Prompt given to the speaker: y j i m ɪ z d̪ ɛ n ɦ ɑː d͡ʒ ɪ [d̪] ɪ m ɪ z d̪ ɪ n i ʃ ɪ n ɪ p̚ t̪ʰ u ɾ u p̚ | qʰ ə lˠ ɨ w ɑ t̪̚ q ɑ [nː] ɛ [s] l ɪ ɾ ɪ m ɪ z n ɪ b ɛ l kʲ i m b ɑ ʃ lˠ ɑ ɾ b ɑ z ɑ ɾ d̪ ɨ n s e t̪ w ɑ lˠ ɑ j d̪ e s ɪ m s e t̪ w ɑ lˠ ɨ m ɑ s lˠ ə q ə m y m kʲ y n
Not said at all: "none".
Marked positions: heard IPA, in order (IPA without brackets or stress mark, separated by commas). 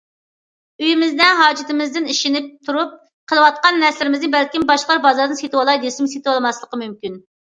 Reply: t̪, nː, s